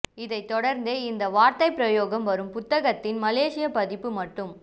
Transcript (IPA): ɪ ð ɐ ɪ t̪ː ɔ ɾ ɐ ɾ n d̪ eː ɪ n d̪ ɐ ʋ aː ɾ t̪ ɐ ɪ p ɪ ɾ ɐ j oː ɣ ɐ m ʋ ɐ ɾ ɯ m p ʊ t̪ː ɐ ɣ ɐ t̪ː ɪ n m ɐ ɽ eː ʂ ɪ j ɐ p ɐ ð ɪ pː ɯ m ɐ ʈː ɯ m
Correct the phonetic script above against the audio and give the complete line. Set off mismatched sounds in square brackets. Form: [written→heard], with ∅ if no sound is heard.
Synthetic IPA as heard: ɪ ð ɐ ɪ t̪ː ɔ [ɾ→ɽ] ɐ ɾ n d̪ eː ɪ n d̪ ɐ ʋ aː ɾ t̪ ɐ ɪ p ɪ ɾ ɐ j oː ɣ ɐ m ʋ ɐ ɾ ɯ m p ʊ t̪ː ɐ ɣ ɐ t̪ː ɪ n m ɐ [ɽ→l] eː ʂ ɪ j ɐ p ɐ ð ɪ pː ɯ m ɐ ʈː ɯ m